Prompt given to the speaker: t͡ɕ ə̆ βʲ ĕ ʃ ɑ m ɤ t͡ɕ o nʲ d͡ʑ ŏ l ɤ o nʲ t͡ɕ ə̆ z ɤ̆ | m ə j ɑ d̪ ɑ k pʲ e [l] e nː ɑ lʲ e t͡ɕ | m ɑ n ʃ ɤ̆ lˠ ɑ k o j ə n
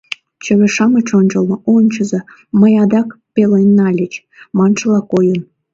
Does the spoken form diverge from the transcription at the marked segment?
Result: no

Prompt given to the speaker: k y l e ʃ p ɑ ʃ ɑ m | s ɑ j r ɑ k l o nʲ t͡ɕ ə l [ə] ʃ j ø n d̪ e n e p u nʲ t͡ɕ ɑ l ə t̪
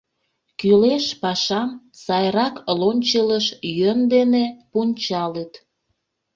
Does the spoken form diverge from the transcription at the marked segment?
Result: no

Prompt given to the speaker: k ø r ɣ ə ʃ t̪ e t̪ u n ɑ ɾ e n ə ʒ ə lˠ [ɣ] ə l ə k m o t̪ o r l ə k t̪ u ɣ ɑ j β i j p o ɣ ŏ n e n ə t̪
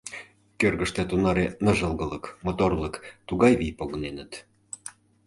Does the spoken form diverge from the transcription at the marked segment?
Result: no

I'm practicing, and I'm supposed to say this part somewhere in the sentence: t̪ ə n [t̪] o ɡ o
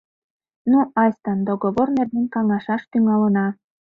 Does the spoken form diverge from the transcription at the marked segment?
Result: yes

